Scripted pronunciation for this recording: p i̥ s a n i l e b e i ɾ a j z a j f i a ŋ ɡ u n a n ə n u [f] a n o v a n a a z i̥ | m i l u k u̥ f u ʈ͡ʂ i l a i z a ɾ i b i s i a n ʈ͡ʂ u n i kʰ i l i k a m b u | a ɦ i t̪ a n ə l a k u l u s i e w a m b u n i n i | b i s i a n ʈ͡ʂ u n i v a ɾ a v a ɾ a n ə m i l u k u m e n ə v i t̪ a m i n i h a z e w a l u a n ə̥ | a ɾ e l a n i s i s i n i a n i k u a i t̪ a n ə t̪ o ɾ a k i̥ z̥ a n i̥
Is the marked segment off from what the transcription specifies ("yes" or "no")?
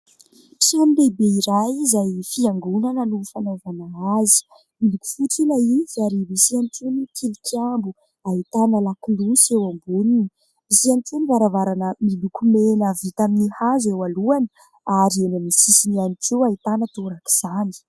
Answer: no